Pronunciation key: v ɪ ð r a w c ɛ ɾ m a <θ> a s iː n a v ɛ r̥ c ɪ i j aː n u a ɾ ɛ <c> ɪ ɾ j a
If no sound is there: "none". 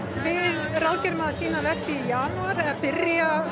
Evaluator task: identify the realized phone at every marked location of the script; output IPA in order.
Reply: ð, p

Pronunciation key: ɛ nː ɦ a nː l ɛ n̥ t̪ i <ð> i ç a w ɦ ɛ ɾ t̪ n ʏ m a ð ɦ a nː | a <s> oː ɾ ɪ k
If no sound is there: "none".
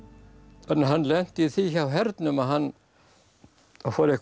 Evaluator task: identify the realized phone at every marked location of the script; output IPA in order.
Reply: θ, f

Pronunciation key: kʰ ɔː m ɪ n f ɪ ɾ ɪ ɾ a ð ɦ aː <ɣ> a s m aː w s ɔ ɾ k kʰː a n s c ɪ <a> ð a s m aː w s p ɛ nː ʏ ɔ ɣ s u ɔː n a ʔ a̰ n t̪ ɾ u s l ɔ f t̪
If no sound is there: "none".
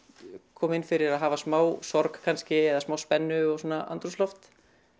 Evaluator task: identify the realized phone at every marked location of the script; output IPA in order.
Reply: v, ɛ

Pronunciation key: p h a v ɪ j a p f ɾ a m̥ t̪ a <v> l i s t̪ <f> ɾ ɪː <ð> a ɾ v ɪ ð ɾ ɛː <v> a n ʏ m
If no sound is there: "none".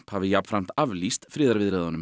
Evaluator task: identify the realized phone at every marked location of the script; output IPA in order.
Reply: v, f, ð, ð

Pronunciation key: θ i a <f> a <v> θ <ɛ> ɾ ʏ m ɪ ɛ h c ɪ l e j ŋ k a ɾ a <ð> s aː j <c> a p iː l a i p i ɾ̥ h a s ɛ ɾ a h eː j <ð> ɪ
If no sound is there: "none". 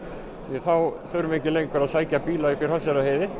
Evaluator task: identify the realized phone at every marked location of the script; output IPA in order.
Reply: θ, w, œ, ð, c, ð

